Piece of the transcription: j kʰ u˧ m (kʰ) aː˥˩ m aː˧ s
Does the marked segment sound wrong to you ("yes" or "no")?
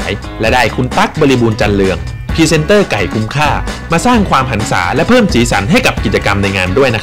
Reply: no